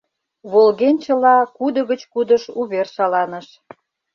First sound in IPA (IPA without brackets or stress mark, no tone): β